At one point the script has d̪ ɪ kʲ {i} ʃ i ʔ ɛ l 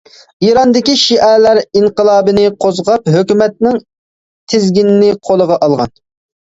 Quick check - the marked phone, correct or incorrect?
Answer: correct